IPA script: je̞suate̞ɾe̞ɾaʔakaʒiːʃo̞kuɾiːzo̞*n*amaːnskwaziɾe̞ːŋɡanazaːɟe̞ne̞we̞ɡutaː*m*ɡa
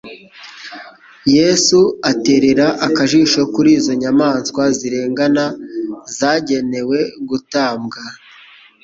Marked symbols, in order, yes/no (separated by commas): no, yes